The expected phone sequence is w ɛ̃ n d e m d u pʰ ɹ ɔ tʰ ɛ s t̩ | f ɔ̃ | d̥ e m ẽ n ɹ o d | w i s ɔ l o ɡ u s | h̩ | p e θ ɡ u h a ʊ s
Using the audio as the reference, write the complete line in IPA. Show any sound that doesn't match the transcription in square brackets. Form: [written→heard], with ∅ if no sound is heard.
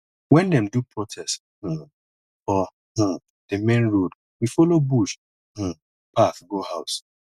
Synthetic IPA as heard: w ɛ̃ n d [e→ɛ] m d u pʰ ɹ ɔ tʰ ɛ s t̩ | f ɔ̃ | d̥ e m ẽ n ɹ o d | w i [s→f] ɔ l o [ɡ→b] u [s→ʃ] | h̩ | p [e→a] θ ɡ [u→o] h a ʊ s